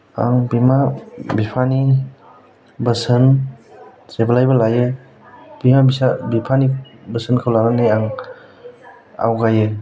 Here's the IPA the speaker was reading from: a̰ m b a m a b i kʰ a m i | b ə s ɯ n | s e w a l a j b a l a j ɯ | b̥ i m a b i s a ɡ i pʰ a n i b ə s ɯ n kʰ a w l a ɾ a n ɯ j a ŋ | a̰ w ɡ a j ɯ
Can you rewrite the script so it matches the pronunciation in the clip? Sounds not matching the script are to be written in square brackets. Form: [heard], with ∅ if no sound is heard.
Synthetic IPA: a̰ [ŋ] b [i] m a b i [pʰ] a [n] i | b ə s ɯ n | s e [b] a l a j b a l a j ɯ | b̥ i m a b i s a [b] i pʰ a n i b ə s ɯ n kʰ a w l a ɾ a n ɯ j a ŋ | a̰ w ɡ a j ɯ

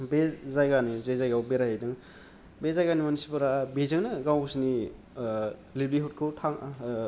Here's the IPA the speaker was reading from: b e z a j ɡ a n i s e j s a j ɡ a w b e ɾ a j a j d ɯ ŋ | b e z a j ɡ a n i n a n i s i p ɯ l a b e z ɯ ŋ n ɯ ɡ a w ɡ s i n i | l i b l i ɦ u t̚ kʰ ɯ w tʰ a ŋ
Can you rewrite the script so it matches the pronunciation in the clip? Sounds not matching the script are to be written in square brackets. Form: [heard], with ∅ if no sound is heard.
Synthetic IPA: b e z a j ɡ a n i [z] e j [z] a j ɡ a w b e ɾ a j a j d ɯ ŋ | b e z a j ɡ a n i [m] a n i s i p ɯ [ɾ] a b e z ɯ ŋ n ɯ ɡ a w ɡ s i n i | l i b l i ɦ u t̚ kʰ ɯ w tʰ a ŋ

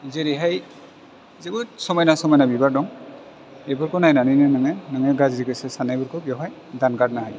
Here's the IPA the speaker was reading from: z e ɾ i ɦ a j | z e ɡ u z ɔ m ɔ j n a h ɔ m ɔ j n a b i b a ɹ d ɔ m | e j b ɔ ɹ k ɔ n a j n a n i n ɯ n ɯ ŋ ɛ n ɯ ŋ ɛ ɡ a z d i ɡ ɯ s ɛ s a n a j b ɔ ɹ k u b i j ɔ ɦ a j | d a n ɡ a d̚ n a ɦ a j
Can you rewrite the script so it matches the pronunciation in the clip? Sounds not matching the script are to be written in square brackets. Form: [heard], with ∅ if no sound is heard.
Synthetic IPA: z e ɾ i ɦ a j | z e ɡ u [s] ɔ m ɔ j n a [s] ɔ m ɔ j n a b i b a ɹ d ɔ [ŋ] | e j b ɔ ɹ k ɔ n a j n a n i n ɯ n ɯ ŋ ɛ n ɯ ŋ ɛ ɡ a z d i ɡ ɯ s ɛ s a n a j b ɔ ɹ k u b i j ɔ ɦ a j | d a n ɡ a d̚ n a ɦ a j

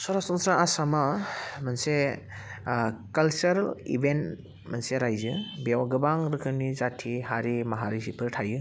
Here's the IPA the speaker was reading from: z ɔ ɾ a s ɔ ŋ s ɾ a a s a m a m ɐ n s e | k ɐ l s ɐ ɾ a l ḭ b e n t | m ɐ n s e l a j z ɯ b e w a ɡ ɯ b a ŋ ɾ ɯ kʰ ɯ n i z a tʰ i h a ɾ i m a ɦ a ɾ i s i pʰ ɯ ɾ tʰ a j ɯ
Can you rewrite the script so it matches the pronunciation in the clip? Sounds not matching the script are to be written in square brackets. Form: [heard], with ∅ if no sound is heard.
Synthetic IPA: [s] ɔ ɾ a s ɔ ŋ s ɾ a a s a m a m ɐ n s e | k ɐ l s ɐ ɾ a l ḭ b e n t | m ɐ n s e [ɾ] a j z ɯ b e w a ɡ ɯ b a ŋ ɾ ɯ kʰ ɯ n i z a tʰ i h a ɾ i m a ɦ a ɾ i s i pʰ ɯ ɾ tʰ a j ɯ

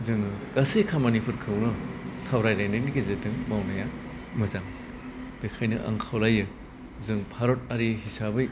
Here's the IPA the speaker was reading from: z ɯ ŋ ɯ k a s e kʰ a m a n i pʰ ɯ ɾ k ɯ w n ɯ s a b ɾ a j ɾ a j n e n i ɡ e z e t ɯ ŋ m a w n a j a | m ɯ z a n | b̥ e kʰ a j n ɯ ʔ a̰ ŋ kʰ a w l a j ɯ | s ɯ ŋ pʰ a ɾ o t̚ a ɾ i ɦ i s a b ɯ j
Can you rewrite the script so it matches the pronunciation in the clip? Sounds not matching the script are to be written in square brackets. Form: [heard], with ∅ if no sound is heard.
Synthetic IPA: z ɯ ŋ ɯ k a s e kʰ a m a n i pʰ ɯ ɾ [kʰ] ɯ w n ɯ s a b ɾ a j ɾ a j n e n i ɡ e z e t ɯ ŋ m a w n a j a | m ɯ z a [ŋ] | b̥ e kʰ a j n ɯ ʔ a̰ ŋ kʰ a w l a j ɯ | [z] ɯ ŋ pʰ a ɾ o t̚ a ɾ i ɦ i s a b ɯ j

